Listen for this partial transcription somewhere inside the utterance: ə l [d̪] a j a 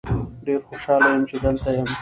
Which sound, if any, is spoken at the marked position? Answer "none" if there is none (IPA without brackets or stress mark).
t̪